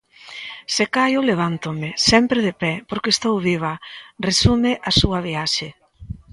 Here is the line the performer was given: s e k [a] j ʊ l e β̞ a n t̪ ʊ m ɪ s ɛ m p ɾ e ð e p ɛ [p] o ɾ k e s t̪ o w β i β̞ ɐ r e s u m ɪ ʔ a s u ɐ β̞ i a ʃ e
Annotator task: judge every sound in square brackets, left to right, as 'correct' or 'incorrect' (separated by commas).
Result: correct, correct